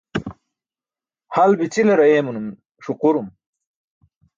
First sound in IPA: h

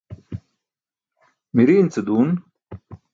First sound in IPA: m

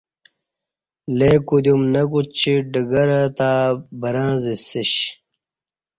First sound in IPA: l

